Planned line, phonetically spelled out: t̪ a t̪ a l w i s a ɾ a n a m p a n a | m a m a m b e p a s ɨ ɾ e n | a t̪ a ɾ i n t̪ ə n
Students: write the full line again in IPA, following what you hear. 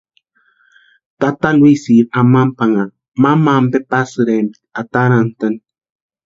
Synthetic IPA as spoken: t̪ a t̪ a l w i s i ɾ a m a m p a ŋ a | m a m a m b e p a s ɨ ɾ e n | a t̪ a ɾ a n t̪ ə n